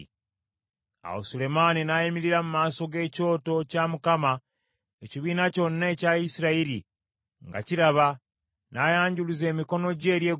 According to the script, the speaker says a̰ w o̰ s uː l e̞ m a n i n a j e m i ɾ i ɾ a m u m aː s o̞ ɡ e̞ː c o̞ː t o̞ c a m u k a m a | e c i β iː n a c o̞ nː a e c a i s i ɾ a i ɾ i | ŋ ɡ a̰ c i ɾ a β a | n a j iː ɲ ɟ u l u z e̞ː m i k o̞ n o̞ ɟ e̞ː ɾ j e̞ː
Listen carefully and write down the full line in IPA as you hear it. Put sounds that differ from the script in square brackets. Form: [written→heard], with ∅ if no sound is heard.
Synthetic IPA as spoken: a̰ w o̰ s [uː→u] l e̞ m a n i n a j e m i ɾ i ɾ a m u m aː s o̞ ɡ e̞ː c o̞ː t o̞ c a m u k a m a | e c i β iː n a c o̞ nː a e c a i s i ɾ a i ɾ i | ŋ ɡ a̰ c i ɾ a β a | n a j [iː→aː] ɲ ɟ u l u z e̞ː m i k o̞ n o̞ ɟ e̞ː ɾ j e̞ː